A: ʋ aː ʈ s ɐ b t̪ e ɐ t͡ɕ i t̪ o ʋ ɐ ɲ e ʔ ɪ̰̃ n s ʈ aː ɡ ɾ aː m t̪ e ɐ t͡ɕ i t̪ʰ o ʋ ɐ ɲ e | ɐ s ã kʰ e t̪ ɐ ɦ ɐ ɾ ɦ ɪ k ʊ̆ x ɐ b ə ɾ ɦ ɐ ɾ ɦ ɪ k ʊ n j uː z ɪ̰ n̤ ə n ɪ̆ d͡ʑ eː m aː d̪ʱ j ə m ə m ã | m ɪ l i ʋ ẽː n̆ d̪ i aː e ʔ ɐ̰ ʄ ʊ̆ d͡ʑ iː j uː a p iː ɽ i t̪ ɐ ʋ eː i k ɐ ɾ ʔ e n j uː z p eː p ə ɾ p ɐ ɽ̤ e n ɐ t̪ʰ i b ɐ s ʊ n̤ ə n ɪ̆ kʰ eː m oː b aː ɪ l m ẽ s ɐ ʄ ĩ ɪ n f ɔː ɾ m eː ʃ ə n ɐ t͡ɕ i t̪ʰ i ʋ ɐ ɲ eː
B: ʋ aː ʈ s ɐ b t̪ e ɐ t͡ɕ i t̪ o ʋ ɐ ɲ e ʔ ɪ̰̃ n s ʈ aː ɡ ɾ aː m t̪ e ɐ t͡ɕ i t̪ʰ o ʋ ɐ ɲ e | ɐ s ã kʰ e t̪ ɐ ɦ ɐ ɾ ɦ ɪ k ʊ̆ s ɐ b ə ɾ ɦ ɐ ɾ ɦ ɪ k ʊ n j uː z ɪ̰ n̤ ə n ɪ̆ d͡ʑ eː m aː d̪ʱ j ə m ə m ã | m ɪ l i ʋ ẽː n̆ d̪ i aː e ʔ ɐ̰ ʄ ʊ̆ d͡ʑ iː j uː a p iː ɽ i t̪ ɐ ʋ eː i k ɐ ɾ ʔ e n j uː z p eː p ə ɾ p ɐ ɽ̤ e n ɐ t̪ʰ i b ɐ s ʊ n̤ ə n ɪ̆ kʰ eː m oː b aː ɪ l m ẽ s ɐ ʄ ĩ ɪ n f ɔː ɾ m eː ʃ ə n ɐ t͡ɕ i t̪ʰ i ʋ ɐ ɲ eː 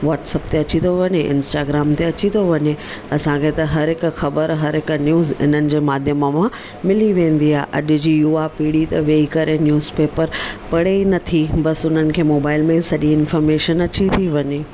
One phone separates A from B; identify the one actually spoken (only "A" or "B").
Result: A